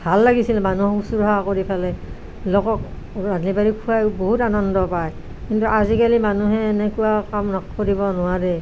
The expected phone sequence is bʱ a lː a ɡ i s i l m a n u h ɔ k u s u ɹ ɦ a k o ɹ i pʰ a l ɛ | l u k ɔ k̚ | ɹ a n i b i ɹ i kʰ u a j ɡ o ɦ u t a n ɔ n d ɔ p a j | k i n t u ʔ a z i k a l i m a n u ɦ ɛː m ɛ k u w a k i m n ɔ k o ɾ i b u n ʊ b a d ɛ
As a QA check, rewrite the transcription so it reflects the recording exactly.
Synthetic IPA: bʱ a lː a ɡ i s i l m a n u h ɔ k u s u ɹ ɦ a k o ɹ i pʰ a l ɛ | l ɔ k ɔ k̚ | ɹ a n i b a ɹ i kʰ u a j b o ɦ u t a n ɔ n d ɔ p a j | k i n t u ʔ a z i k a l i m a n u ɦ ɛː n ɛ k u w a k a m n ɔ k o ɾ i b ɔ n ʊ w a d ɛ

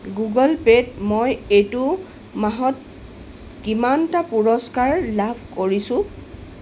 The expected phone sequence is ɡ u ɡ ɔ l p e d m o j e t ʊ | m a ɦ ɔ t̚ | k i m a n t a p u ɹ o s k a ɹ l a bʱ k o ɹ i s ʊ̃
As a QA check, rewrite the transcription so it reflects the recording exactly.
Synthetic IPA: ɡ u ɡ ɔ l p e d m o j e t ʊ | m a ɦ ɔ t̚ | k i m a n t a p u ɹ ɔ s k a ɹ l a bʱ k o ɹ i s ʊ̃

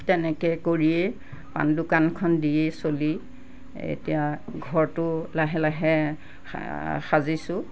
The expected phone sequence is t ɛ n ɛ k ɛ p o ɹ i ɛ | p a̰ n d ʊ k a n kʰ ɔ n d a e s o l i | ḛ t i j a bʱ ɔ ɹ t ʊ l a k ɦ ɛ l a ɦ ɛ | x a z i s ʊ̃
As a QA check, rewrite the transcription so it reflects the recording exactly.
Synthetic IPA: t ɛ n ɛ k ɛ k o ɹ i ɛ | p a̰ n d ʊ k a n kʰ ɔ n d i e s o l i | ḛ t i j a ɡʱ ɔ ɹ t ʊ l a ɦ ɛ l a ɦ ɛ | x a z i s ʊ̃

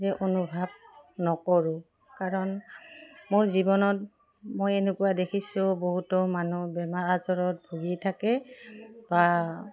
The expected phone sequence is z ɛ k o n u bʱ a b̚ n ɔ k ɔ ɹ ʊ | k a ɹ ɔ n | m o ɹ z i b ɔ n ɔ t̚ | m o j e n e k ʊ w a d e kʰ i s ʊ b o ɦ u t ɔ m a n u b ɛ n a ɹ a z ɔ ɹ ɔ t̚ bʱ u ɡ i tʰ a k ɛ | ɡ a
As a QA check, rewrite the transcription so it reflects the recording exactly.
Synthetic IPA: z ɛ ʔ o n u bʱ a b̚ n ɔ k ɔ ɹ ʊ | k a ɹ ɔ n | m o ɹ z i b ɔ n ɔ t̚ | m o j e n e k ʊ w a d e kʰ i s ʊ b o ɦ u t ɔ m a n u b ɛ m a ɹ a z ɔ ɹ ɔ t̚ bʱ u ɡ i tʰ a k ɛ | b a

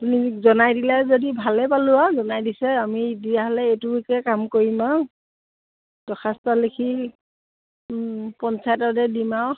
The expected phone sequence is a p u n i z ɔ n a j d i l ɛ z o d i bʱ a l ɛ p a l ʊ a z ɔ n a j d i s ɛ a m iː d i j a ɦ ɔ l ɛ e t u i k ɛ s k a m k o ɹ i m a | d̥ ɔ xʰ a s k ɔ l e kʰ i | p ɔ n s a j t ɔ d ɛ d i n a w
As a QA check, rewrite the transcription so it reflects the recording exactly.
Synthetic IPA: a p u n i z ɔ n a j d i l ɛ z o d i bʱ a l ɛ p a l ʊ a z ɔ n a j d i s ɛ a m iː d i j a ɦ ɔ l ɛ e t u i k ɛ k a m k o ɹ i m a | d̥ ɔ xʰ a s t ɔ l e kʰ i | p ɔ n s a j t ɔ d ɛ d i m a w

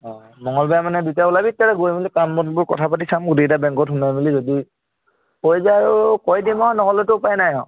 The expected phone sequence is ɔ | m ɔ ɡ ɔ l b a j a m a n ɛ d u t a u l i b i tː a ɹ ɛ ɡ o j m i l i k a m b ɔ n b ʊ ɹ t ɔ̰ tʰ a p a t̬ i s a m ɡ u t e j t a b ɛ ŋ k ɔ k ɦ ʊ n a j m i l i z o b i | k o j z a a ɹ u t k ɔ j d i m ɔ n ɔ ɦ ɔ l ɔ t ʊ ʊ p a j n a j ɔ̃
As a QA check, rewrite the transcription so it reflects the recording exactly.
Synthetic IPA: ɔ | m ɔ ŋ ɔ l b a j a m a n ɛ d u t a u l a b i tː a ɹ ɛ ɡ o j m i l i k a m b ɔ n b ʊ ɹ k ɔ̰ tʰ a p a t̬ i s a m ɡ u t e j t a b ɛ ŋ k ɔ t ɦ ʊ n a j m i l i z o d i | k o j z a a ɹ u k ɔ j d i m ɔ n ɔ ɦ ɔ l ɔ t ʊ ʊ p a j n a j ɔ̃

